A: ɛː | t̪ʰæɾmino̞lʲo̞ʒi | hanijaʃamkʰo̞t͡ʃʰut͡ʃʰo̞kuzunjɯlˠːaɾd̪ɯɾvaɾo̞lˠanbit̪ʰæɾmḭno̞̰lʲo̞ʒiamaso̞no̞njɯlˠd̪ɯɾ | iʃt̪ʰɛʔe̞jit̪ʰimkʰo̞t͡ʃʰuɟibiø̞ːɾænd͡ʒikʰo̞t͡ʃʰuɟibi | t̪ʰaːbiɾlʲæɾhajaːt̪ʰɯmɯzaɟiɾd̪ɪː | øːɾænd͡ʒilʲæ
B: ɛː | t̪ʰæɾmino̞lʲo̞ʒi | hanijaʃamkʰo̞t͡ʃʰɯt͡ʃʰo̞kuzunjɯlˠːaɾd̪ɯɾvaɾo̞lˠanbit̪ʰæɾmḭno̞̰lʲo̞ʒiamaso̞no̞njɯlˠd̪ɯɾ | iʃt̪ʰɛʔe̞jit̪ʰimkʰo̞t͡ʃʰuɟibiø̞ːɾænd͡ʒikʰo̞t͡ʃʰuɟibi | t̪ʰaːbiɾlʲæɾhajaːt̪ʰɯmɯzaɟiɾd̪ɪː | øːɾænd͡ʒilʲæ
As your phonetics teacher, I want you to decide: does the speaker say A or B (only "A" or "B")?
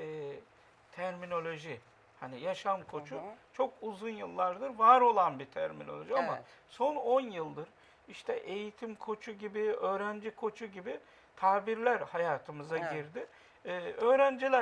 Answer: A